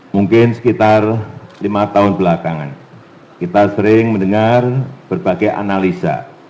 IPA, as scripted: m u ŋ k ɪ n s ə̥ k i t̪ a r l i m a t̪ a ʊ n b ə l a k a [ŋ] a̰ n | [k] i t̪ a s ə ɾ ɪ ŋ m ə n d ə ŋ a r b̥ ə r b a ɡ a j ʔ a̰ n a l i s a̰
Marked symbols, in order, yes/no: yes, yes

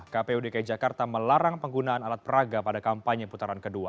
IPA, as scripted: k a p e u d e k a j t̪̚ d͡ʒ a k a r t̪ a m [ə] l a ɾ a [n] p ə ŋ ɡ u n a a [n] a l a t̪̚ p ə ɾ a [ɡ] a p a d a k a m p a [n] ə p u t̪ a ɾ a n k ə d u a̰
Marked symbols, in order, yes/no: yes, no, yes, yes, no

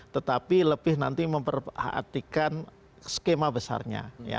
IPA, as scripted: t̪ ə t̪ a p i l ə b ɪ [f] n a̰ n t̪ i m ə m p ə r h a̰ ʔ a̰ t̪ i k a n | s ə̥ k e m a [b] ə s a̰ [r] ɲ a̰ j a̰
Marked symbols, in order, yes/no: no, yes, yes

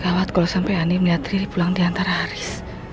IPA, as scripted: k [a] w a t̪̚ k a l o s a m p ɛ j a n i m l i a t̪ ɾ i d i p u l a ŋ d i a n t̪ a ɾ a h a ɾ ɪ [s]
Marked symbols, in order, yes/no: yes, yes

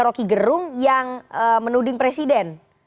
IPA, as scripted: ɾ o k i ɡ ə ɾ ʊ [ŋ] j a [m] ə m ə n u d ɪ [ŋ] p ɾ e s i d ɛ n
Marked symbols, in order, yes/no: yes, no, yes

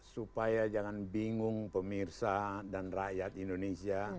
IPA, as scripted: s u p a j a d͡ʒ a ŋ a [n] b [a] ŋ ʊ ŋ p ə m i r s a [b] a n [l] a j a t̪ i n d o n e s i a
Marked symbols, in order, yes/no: yes, no, no, no

